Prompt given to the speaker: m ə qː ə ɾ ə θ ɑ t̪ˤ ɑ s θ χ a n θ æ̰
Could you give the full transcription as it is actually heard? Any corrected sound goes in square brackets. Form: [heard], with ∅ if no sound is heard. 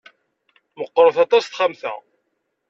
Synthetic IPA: m ə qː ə ɾ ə θ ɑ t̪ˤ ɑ s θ χ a [m] θ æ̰